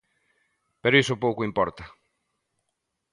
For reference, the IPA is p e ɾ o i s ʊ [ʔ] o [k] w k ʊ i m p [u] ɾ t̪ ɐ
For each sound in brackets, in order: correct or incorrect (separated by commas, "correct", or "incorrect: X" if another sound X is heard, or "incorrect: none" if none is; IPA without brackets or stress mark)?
incorrect: p, incorrect: none, incorrect: ɔ